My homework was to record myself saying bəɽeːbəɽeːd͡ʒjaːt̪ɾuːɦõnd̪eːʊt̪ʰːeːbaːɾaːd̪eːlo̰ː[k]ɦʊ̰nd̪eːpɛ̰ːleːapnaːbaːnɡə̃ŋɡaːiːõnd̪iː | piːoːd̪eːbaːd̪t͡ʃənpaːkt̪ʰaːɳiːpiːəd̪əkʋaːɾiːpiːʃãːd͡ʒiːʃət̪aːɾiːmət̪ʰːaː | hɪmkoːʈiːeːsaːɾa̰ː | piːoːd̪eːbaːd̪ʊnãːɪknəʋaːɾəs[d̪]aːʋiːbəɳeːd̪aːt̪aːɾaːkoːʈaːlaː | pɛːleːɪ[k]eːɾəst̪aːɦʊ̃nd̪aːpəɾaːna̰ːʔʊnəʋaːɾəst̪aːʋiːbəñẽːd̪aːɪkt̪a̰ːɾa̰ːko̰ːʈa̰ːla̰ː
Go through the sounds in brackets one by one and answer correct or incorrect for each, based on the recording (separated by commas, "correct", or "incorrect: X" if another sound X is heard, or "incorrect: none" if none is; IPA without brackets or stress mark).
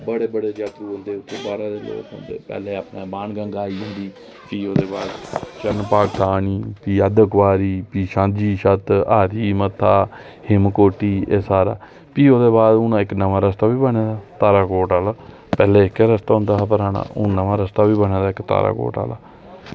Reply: correct, incorrect: t̪, correct